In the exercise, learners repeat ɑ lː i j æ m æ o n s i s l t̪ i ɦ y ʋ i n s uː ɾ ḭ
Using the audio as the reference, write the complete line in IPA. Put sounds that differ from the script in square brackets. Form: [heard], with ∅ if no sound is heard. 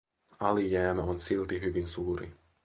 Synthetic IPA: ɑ [l] i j [æː] m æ o n s i [∅] l t̪ i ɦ y ʋ i n s uː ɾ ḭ

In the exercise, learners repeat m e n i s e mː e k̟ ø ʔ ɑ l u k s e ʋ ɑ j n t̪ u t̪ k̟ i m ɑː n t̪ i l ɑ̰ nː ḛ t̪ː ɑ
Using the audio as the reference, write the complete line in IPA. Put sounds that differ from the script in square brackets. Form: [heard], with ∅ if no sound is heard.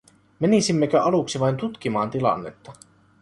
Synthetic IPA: m e n i s [i] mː e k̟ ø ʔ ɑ l u k s [i] ʋ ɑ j n t̪ u t̪ k̟ i m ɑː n t̪ i l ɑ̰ nː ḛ t̪ː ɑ

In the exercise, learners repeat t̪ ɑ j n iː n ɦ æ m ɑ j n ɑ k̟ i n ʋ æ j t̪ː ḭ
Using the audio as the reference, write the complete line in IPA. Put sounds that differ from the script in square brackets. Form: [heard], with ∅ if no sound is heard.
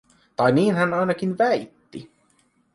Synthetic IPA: t̪ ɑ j n iː n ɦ æ [n] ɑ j n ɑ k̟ i n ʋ æ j t̪ː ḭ

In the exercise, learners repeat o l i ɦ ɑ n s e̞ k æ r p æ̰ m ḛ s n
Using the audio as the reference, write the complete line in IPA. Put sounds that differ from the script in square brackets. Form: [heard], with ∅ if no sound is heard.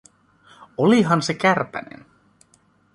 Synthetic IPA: o l i ɦ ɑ n s e̞ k æ r p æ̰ [n] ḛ [∅] n

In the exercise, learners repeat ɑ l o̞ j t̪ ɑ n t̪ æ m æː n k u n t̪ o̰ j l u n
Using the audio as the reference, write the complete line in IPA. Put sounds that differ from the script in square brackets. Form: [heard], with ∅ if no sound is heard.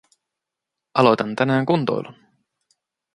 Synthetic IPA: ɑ l o̞ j t̪ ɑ n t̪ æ [n] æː [ŋ] k u n t̪ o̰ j l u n

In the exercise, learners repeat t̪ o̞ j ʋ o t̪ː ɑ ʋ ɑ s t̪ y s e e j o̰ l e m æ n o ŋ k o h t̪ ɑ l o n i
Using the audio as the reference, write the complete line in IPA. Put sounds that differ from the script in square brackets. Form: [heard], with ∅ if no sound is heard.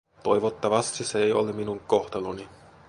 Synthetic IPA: t̪ o̞ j ʋ o t̪ː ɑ ʋ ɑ s t̪ [i] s e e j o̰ l e m [i] n [u] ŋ k o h t̪ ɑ l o n i

